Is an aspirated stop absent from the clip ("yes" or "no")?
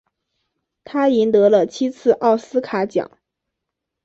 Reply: no